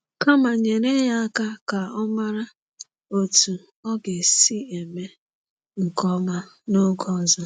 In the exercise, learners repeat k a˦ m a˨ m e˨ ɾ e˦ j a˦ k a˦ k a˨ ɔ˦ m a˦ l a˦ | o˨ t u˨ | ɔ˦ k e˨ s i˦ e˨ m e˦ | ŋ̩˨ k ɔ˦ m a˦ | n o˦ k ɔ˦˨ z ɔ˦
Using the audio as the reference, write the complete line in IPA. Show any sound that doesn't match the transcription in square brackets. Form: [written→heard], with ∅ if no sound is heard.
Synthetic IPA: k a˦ m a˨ [m→ɲ] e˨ ɾ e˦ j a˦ k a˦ k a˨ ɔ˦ m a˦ [l→ɾ] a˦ | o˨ t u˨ | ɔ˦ [k→ɡ] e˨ s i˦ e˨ m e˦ | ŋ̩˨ k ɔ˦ m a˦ | n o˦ [k→ɡ] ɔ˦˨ z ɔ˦